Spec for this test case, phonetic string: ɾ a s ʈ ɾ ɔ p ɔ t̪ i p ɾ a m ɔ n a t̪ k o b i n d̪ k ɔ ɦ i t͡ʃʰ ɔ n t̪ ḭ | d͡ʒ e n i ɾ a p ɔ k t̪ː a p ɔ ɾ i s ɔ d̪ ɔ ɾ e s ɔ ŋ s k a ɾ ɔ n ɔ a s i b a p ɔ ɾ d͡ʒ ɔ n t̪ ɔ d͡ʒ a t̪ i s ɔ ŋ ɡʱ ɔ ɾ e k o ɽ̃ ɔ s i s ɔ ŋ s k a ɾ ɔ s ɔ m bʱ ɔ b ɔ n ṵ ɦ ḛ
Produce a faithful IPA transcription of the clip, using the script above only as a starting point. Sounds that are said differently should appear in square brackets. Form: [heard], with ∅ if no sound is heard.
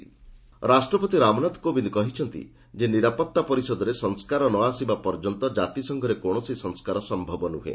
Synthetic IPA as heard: ɾ a s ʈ ɾ ɔ p ɔ t̪ i [∅] ɾ a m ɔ n a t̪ k o b i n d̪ k ɔ ɦ i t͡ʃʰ ɔ n t̪ ḭ | d͡ʒ e n i ɾ a p ɔ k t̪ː a p ɔ ɾ i s ɔ d̪ ɔ ɾ e s ɔ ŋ s k a ɾ ɔ n ɔ a s i b a p ɔ ɾ d͡ʒ ɔ n t̪ ɔ d͡ʒ a t̪ i s ɔ ŋ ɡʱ ɔ ɾ e k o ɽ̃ ɔ s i s ɔ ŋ s k a ɾ ɔ s ɔ m bʱ ɔ b ɔ n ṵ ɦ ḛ